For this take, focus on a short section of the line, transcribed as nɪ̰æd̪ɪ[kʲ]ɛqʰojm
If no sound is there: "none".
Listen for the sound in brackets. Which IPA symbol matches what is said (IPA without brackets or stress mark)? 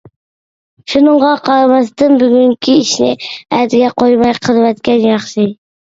ɡʲ